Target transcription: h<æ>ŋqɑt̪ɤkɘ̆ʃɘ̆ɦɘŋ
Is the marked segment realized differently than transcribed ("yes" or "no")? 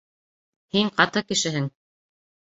yes